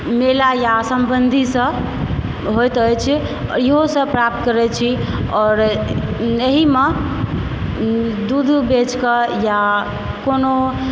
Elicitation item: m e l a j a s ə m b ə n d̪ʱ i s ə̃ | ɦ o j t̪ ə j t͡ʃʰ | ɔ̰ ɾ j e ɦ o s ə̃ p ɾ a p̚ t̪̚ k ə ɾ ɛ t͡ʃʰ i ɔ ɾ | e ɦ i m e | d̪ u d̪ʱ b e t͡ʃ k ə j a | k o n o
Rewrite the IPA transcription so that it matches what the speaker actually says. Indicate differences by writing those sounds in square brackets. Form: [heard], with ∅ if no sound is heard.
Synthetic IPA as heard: m e l a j a s ə m b ə n d̪ʱ i s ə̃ | ɦ o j t̪ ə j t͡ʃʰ | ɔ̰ ɾ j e ɦ o s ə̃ p ɾ a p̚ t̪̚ k ə ɾ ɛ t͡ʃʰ i ɔ ɾ | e ɦ i m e | d̪ u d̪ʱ b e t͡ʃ k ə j a | k o n o

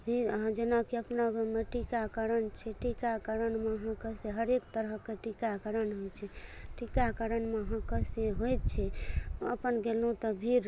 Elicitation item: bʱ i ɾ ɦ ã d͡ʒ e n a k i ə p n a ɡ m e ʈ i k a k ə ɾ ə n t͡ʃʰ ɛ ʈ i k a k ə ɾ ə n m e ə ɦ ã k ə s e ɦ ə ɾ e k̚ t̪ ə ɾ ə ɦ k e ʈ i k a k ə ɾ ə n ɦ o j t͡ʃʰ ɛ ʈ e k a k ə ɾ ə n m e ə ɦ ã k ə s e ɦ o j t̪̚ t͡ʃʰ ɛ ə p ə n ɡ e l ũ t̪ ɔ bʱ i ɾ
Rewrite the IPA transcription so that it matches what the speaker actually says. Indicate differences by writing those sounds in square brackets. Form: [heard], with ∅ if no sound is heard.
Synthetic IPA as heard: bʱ i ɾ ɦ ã d͡ʒ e n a k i ə p n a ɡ m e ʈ i k a k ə ɾ ə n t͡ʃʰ ɛ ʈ i k a k ə ɾ ə n m e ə ɦ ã k ə s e ɦ ə ɾ e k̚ t̪ ə ɾ ə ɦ k e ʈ i k a k ə ɾ ə n ɦ o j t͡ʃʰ ɛ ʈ [i] k a k ə ɾ ə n m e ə ɦ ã k ə s e ɦ o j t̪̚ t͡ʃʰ ɛ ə p ə n ɡ e l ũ t̪ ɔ bʱ i ɾ

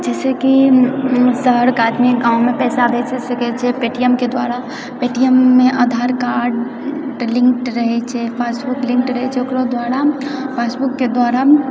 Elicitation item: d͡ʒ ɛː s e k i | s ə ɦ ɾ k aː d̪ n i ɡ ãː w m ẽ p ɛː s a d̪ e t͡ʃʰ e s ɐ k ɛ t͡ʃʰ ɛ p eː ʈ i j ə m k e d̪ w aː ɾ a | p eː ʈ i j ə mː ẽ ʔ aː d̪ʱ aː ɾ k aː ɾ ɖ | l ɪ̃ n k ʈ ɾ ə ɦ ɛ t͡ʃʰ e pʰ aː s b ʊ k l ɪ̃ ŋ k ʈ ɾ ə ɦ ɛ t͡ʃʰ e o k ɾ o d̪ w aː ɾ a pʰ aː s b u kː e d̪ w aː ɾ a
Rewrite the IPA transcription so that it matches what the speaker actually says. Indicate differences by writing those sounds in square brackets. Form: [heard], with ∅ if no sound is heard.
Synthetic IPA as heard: d͡ʒ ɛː s e k i | s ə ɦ ɾ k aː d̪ [m] i ɡ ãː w m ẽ p ɛː s a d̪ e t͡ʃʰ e s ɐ k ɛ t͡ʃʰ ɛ p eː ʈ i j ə m k e d̪ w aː ɾ a | p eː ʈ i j ə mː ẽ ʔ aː d̪ʱ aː ɾ k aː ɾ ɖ | l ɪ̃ [ŋ] k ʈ ɾ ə ɦ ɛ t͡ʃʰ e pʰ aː s b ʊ k l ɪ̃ ŋ k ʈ ɾ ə ɦ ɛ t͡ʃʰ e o k ɾ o d̪ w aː ɾ a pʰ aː s b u kː e d̪ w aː ɾ a

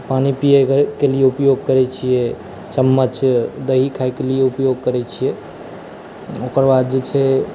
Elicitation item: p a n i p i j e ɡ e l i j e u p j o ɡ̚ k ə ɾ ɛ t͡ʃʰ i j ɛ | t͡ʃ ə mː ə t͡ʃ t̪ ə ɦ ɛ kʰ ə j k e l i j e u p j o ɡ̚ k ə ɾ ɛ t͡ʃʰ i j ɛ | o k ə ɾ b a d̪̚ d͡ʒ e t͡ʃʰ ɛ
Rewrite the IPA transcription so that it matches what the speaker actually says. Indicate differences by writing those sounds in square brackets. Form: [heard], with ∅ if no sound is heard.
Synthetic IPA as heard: p a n i p i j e [k] e l i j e u p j o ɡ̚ k ə ɾ ɛ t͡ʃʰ i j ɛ | t͡ʃ ə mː ə t͡ʃ [d̪] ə ɦ [i] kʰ [a] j k e l i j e u p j o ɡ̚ k ə ɾ ɛ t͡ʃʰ i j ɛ | o k ə ɾ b a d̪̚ d͡ʒ e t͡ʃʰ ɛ

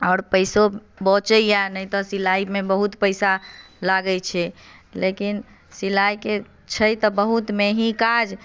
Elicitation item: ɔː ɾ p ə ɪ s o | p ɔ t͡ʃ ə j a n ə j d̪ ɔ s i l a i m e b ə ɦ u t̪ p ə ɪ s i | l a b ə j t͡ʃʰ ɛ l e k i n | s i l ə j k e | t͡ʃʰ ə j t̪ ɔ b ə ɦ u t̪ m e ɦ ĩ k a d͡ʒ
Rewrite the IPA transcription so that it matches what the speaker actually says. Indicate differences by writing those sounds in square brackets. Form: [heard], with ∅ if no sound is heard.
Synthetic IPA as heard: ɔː ɾ p ə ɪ s o | [b] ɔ t͡ʃ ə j a n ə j [t̪] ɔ s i l a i m e b ə ɦ u t̪ p ə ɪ s [a] | l a [ɡ] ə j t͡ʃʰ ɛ l e k i n | s i l [a] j k e | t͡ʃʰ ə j t̪ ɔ b ə ɦ u t̪ m e ɦ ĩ k a d͡ʒ

